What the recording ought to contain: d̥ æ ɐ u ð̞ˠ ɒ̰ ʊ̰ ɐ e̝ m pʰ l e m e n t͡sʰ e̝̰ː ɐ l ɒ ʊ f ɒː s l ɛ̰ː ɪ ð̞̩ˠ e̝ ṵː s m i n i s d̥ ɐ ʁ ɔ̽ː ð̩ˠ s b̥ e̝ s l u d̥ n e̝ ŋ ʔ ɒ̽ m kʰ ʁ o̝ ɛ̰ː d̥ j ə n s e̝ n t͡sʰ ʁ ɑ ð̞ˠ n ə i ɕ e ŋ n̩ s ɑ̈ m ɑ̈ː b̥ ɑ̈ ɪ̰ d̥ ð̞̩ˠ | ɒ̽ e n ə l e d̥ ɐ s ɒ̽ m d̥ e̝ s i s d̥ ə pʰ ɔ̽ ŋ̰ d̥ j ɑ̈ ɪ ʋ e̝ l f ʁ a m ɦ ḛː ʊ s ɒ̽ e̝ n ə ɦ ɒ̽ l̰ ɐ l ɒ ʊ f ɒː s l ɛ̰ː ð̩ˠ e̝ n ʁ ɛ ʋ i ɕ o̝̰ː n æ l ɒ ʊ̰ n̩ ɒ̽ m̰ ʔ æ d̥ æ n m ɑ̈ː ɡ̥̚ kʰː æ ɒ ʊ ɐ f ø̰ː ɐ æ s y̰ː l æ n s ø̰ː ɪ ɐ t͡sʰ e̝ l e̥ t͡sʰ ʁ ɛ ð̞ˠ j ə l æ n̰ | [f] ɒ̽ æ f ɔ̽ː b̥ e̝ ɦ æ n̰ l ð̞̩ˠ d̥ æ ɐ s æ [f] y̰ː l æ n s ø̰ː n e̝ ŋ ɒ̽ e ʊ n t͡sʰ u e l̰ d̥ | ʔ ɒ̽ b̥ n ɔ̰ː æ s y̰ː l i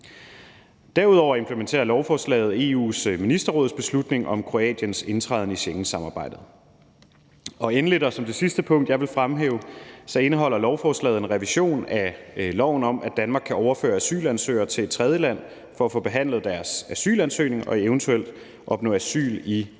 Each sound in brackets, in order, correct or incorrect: correct, incorrect

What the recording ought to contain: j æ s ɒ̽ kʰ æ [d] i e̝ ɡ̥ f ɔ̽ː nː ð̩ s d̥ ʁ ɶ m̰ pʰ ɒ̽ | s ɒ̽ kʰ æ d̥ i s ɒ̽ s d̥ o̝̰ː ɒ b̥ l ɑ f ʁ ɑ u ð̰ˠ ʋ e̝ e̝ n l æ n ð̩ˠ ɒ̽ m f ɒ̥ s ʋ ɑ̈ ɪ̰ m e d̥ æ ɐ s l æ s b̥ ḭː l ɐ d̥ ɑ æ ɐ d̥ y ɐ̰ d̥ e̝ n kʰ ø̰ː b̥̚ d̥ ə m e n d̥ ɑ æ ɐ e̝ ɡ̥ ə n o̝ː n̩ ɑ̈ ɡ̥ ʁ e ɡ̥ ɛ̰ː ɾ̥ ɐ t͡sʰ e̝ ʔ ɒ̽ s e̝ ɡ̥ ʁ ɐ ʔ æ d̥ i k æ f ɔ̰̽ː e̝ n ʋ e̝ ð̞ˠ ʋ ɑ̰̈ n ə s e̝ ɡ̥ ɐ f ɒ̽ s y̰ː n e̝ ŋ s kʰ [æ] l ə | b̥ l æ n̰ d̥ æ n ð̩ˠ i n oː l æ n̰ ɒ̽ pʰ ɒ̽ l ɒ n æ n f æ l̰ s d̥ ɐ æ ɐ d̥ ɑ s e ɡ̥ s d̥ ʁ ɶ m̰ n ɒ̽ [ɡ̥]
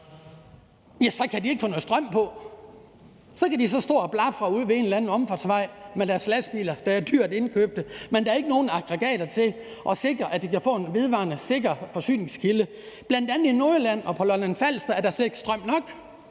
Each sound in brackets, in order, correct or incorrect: correct, incorrect, correct

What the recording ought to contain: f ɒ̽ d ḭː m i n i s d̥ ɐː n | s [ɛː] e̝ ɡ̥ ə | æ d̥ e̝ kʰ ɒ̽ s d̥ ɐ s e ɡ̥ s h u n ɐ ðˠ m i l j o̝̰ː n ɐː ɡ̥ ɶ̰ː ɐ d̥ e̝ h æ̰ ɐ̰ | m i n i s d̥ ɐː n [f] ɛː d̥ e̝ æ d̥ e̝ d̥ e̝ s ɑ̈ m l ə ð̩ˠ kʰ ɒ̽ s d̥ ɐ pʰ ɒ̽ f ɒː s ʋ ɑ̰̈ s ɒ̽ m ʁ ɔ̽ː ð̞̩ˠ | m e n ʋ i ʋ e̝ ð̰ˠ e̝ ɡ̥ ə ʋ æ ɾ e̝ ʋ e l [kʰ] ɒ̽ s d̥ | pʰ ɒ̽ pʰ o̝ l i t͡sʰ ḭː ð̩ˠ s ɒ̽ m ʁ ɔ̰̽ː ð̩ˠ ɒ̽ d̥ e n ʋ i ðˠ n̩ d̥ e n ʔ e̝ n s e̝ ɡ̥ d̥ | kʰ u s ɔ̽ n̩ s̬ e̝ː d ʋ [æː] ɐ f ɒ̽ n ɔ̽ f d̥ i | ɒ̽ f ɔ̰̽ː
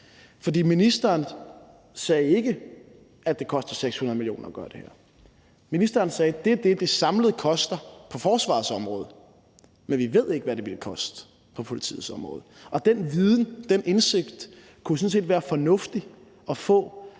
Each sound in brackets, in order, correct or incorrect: correct, incorrect, correct, correct

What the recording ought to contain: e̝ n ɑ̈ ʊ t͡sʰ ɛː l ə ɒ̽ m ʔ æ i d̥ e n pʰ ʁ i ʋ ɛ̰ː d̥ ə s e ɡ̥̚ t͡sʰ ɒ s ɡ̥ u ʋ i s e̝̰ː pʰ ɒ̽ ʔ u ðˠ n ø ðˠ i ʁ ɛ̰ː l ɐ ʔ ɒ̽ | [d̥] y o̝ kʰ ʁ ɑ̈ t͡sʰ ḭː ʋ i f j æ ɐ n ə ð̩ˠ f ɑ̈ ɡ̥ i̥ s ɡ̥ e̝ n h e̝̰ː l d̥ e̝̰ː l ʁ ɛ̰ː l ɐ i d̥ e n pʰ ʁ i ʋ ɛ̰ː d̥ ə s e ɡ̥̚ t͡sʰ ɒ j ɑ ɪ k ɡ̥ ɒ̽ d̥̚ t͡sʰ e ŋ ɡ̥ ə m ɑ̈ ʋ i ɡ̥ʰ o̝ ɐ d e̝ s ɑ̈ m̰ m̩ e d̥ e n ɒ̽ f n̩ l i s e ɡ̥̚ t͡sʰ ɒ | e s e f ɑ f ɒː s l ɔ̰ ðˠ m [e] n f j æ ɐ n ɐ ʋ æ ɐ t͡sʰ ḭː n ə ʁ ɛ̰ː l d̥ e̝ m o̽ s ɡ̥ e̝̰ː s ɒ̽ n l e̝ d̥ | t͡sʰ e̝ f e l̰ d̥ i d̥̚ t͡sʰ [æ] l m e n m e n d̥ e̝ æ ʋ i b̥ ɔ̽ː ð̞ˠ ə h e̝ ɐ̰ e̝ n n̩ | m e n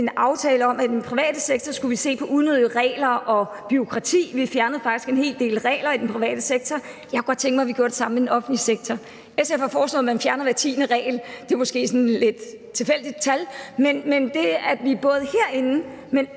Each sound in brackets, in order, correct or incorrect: incorrect, incorrect, correct

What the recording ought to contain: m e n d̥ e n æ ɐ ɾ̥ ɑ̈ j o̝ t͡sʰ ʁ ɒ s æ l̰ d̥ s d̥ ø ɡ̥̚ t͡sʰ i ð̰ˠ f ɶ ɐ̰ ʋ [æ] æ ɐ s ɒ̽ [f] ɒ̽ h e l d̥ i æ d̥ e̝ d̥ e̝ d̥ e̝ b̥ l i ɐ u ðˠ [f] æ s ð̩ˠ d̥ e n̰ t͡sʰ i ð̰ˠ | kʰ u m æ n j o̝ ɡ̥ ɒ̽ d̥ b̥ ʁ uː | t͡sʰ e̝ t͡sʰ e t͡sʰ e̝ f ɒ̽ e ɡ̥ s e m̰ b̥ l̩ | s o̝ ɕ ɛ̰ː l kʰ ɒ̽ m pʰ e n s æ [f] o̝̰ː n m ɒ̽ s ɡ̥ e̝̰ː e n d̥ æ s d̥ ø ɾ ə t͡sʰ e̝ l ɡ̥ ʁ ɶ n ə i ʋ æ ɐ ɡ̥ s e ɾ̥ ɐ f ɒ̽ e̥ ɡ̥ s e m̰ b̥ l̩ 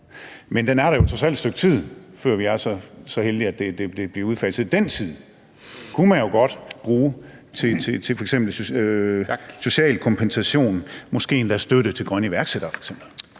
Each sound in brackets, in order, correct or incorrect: incorrect, incorrect, correct, incorrect

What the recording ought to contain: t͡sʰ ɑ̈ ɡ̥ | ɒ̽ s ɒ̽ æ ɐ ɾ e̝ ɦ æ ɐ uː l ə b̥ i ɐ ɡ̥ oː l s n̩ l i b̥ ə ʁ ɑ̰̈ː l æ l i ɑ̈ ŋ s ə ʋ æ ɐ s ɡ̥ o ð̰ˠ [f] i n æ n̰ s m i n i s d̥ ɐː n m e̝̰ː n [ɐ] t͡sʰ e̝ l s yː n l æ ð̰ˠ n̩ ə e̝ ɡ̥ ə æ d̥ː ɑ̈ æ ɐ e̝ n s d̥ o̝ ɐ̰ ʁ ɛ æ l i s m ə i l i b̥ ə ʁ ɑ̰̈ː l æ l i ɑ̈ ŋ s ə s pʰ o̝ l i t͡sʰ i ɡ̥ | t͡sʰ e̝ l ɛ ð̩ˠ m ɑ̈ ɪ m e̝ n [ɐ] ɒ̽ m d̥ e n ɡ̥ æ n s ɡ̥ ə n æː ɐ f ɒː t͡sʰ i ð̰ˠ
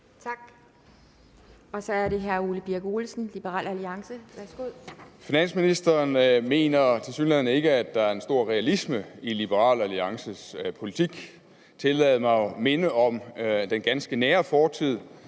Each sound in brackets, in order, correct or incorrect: correct, correct, incorrect

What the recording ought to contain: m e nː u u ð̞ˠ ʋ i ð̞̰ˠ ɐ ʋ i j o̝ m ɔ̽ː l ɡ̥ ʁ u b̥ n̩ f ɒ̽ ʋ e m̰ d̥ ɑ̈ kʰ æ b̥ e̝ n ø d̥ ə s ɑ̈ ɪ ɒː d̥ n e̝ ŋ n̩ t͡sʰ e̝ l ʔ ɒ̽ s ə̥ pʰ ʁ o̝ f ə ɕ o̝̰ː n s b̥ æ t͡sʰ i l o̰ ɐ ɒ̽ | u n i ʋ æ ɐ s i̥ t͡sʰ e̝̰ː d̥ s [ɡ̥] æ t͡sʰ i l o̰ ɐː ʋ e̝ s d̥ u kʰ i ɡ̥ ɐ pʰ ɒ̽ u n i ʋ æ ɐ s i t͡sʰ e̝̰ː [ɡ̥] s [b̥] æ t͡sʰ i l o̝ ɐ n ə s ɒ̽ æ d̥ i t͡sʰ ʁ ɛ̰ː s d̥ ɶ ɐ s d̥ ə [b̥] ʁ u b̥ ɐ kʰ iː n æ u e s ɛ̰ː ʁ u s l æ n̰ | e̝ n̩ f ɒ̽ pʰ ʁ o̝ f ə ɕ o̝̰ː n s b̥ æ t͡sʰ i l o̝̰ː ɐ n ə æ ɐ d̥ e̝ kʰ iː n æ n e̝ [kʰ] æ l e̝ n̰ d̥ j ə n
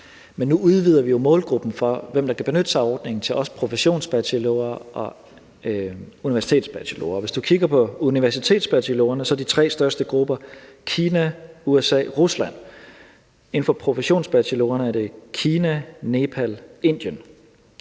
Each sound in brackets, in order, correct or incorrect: incorrect, incorrect, correct, incorrect, incorrect

